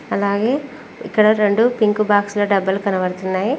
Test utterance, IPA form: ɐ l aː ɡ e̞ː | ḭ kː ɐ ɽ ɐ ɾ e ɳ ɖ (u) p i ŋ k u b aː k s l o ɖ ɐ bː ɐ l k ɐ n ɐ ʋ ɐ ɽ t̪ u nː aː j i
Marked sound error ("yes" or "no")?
no